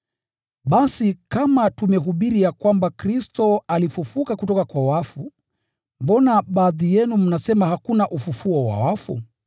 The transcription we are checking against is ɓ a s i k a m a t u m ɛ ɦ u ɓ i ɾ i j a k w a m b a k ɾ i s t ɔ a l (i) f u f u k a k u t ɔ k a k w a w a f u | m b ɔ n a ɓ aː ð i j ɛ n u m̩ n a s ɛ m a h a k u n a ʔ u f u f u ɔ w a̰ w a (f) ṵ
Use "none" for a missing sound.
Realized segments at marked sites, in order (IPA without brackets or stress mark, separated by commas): i, f